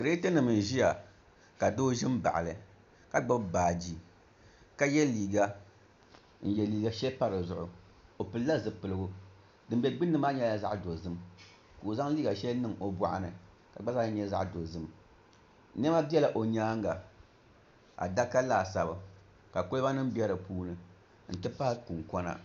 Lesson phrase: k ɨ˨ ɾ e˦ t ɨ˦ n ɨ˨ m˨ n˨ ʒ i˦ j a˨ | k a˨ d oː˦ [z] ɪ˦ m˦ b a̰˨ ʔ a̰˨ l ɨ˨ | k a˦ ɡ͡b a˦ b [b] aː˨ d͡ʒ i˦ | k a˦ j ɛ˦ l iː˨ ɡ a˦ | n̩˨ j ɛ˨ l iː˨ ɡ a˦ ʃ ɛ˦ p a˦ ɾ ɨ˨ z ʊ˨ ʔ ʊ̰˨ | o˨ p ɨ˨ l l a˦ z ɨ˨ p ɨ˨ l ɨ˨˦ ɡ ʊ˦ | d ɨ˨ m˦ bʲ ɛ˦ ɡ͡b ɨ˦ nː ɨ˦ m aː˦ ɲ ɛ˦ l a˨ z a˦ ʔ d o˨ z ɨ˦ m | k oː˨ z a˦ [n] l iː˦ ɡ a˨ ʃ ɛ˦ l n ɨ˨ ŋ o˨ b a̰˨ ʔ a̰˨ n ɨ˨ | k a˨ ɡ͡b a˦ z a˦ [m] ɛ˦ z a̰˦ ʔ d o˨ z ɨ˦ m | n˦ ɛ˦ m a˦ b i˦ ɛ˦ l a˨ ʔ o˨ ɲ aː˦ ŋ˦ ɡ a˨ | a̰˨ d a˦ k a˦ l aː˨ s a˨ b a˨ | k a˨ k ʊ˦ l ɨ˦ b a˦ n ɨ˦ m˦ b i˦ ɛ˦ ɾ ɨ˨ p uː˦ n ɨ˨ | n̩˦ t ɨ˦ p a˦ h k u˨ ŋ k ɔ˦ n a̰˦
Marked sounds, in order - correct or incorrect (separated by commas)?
incorrect, correct, incorrect, incorrect